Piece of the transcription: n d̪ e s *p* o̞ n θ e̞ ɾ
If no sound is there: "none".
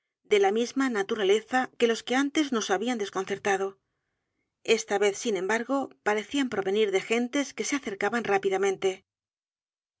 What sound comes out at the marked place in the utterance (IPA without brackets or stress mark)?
k